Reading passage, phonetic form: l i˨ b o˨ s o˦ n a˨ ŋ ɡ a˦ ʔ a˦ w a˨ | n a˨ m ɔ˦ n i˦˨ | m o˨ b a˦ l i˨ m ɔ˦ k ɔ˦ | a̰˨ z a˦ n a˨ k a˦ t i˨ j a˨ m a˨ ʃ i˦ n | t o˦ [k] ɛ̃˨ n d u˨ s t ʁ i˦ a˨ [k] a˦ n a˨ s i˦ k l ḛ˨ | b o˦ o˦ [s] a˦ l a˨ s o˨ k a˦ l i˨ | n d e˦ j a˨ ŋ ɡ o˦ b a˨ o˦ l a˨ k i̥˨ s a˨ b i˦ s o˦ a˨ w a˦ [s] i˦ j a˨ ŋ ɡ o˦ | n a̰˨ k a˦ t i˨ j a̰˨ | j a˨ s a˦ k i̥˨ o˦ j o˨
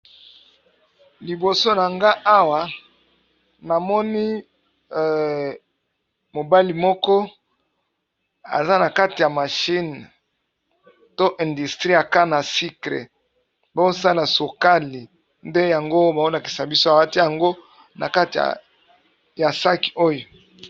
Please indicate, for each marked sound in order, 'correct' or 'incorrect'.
incorrect: ʔ, correct, correct, incorrect: t

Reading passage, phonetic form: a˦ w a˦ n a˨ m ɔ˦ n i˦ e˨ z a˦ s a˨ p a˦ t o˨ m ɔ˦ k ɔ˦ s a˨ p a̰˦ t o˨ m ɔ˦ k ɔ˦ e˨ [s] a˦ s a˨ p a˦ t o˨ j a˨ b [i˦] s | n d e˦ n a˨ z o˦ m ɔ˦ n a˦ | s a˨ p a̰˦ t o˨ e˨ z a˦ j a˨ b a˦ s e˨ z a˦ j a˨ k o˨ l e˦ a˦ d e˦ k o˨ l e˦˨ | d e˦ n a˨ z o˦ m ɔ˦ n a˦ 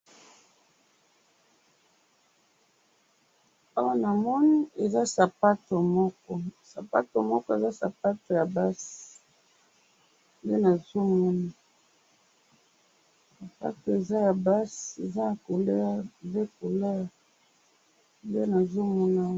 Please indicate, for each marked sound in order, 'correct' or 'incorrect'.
incorrect: z, incorrect: a˦

